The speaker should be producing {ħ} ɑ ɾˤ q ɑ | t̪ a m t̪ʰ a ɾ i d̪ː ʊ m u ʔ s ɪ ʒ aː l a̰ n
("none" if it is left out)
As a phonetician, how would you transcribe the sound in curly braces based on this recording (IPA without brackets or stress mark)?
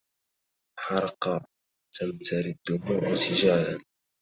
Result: ħ